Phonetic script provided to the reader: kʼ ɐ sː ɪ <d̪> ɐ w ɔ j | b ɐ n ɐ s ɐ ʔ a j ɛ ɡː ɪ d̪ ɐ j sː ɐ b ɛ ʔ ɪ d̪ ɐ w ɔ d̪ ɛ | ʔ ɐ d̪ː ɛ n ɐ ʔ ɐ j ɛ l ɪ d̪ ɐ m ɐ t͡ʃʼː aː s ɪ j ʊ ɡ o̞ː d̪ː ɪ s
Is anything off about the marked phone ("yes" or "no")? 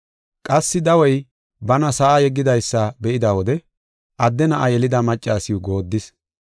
no